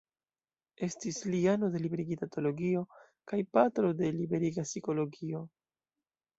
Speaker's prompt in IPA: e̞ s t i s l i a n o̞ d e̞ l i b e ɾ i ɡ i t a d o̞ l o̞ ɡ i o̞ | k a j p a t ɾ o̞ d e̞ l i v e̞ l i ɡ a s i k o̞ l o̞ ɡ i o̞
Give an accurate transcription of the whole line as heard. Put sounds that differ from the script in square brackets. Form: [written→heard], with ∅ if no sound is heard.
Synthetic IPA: e̞ s t i s l i a n o̞ d e̞ l i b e ɾ i ɡ i t a [d→t] o̞ l o̞ ɡ i o̞ | k a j p a t ɾ o̞ d e̞ l i [v→b] e̞ [l→ɾ] i ɡ a s i k o̞ l o̞ ɡ i o̞